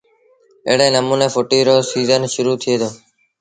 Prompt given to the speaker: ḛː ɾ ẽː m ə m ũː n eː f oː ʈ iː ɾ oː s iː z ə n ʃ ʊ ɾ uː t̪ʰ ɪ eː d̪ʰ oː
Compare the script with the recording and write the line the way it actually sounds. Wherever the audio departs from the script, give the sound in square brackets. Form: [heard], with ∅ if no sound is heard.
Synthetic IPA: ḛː [ɽ] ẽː [n] ə m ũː n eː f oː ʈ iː ɾ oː s iː z ə n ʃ ʊ ɾ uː t̪ʰ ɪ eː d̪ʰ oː